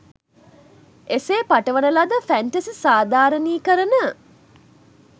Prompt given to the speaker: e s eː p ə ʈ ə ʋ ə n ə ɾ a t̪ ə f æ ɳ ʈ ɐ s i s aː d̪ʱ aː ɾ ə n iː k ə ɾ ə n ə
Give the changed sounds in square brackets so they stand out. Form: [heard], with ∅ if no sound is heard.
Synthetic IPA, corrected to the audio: e s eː p [a] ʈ ə ʋ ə n ə [l] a [d̪] ə f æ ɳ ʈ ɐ s i s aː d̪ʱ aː ɾ ə n iː k ə ɾ ə n ə